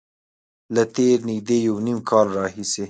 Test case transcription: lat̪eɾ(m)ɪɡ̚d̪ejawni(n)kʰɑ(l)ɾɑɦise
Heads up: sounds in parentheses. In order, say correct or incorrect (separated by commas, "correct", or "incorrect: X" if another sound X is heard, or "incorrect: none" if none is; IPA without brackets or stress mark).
incorrect: n, incorrect: m, correct